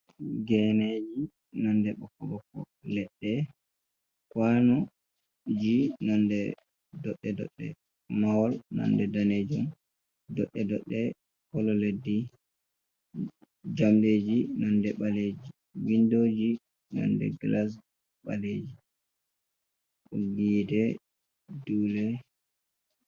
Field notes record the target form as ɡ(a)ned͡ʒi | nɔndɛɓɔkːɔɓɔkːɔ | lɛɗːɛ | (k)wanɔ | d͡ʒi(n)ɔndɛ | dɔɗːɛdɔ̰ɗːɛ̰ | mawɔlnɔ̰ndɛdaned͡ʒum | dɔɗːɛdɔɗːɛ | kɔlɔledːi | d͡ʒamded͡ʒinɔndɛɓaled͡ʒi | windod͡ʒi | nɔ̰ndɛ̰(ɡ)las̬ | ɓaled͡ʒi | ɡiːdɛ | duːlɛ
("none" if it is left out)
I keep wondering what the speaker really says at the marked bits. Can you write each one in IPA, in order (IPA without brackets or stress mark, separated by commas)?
ɛ, k, n, ɡ